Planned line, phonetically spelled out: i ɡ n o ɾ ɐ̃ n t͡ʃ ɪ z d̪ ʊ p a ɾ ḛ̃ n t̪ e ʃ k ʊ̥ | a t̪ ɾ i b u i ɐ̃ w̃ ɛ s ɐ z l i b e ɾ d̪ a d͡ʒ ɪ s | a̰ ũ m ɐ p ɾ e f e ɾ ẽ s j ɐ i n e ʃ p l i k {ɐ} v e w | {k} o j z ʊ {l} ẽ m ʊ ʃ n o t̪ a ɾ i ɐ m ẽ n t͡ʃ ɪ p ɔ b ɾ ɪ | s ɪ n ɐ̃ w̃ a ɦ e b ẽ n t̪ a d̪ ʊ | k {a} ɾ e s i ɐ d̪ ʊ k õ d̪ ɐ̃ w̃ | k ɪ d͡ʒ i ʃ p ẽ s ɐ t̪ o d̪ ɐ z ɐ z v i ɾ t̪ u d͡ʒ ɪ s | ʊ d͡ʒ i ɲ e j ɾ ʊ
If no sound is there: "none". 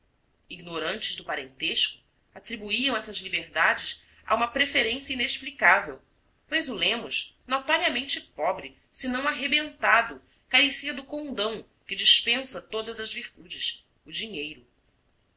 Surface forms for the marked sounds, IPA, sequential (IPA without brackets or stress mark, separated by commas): a, p, l, a